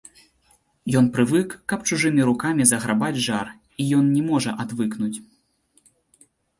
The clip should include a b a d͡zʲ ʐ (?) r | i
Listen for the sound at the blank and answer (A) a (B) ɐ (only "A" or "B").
A